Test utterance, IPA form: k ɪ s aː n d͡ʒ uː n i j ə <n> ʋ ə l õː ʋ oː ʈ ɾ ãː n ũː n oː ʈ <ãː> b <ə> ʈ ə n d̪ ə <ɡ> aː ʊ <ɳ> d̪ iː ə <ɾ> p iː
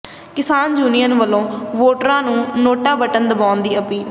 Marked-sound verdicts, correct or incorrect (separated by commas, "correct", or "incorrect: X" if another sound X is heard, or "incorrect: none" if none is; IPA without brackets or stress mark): correct, incorrect: aː, correct, incorrect: b, incorrect: n, incorrect: none